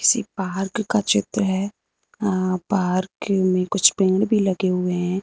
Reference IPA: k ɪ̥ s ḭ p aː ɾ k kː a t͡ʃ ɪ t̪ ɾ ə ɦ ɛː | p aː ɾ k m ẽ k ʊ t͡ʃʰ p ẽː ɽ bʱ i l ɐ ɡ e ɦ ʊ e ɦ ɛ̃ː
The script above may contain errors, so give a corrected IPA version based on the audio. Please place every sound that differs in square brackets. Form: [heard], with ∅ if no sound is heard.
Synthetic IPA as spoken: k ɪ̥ s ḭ p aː ɾ k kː a t͡ʃ ɪ t̪ ɾ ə ɦ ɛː | p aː ɾ k m ẽ k ʊ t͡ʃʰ p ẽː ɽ bʱ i l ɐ ɡ e ɦ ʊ e ɦ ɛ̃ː